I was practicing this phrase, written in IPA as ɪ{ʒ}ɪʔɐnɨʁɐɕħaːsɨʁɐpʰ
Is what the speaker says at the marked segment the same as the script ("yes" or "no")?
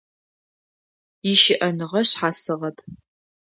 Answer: no